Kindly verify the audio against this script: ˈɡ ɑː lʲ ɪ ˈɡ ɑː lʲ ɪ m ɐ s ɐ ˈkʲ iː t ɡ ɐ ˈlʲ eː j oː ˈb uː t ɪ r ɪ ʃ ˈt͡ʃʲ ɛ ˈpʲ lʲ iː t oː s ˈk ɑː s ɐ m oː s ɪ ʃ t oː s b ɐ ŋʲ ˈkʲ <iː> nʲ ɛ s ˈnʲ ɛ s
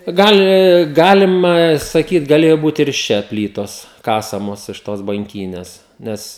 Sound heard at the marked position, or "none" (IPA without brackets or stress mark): iː